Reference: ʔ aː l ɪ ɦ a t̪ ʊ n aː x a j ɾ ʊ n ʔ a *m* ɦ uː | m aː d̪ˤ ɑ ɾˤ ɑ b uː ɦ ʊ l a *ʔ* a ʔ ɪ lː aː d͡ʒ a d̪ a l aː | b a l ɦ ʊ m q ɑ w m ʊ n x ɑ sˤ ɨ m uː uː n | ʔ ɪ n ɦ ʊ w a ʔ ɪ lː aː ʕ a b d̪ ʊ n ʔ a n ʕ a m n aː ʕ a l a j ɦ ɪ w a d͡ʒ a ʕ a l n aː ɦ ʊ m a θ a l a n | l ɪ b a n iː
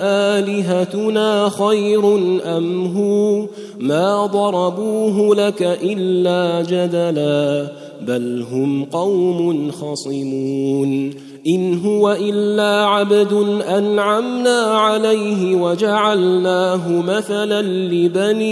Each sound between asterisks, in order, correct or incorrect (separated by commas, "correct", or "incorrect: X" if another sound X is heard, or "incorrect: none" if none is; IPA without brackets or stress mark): correct, incorrect: k